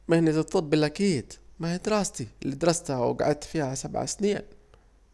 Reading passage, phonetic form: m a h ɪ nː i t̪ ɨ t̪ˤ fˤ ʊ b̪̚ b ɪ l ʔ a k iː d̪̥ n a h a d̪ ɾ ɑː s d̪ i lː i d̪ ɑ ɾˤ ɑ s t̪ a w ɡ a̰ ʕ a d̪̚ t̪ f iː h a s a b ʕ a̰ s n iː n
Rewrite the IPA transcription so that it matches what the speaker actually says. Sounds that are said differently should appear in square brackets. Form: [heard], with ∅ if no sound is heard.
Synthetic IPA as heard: m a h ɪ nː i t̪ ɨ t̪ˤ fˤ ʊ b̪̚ b ɪ l ʔ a k iː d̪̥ [m] a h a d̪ ɾ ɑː s [t̪] i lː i d̪ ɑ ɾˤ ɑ s t̪ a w ɡ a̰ ʕ a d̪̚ t̪ f iː h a s a b ʕ a̰ s n iː n